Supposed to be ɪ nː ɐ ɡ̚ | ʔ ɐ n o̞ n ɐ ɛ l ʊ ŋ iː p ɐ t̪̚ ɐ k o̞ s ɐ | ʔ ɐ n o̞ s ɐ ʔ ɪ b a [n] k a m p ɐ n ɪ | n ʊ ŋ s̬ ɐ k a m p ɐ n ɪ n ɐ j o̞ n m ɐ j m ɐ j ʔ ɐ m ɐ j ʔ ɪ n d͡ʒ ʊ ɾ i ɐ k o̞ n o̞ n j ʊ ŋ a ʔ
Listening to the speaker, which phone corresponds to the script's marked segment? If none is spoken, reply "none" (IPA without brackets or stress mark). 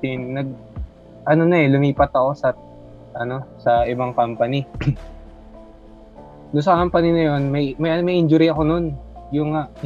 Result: ŋ